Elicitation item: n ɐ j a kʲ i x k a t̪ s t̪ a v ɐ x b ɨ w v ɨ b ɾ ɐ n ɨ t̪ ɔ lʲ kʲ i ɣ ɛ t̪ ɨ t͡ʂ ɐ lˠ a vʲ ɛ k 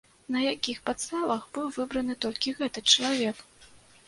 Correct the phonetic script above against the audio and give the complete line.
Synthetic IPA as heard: n ɐ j a kʲ i x p a t̪ s t̪ a v ɐ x b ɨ w v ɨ b ɾ ɐ n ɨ t̪ ɔ lʲ kʲ i ɣ ɛ t̪ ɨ t͡ʂ ɐ lˠ a vʲ ɛ k